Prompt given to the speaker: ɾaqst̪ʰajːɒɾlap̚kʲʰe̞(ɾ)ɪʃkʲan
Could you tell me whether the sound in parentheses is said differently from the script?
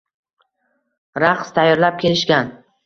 yes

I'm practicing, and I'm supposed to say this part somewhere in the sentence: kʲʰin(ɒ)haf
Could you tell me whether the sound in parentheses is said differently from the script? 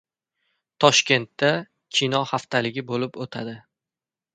no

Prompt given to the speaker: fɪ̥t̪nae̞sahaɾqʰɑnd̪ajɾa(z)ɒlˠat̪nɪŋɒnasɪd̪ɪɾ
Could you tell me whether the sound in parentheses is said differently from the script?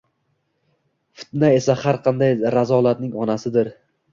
no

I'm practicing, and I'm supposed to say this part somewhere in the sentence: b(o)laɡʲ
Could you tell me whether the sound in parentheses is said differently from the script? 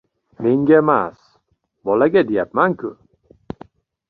yes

